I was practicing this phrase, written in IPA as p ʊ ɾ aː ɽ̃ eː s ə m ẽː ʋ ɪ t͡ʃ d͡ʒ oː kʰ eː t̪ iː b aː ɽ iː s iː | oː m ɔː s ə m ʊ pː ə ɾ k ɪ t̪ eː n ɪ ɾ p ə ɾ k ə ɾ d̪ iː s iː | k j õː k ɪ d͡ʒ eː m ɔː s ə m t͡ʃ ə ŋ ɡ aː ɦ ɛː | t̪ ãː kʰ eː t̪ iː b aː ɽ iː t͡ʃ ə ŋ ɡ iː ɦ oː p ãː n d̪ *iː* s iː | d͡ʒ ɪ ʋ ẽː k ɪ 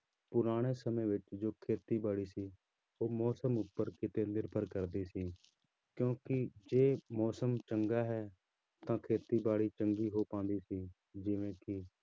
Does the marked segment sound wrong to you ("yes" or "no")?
no